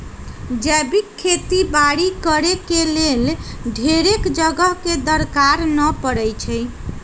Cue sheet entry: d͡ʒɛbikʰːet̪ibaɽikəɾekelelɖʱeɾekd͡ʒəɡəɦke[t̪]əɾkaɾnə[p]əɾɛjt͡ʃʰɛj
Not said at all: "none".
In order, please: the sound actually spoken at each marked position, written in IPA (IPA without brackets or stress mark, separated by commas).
d̪, p